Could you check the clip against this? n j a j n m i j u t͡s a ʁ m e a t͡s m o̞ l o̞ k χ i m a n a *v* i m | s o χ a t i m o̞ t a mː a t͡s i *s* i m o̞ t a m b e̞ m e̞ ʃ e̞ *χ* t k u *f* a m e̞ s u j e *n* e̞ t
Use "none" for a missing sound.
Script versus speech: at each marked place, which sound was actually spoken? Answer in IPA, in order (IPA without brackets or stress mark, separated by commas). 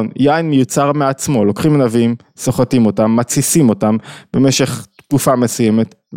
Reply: v, s, χ, f, m